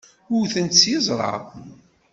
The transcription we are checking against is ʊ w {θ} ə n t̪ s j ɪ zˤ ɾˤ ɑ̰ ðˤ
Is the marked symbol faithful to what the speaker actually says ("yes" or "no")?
yes